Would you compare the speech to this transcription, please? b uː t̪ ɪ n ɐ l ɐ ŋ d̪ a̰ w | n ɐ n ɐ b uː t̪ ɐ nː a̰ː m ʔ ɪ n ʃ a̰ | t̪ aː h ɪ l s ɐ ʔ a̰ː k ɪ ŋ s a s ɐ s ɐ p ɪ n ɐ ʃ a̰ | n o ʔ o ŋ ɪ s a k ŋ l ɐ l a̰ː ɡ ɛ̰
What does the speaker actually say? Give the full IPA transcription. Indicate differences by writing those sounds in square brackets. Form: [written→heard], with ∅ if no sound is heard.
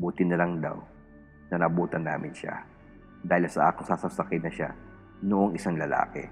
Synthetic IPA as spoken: b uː t̪ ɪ n ɐ l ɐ ŋ d̪ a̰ w | n ɐ n ɐ b uː t̪ ɐ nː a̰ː m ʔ ɪ n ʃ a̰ | [t̪→d̪] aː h ɪ l s ɐ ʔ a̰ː k ɪ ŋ s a s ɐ s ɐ [p→k] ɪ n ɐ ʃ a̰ | n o ʔ o ŋ ɪ s a [k→∅] ŋ l ɐ l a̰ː [ɡ→k] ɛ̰